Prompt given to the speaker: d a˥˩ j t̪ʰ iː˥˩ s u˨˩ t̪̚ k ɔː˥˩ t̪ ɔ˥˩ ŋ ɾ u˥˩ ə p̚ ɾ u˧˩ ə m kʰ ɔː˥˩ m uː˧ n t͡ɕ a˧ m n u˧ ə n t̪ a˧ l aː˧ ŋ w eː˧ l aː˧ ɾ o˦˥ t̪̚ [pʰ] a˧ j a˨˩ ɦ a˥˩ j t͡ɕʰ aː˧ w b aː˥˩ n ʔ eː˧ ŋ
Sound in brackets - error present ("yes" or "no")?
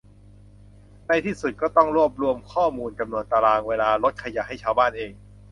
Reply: yes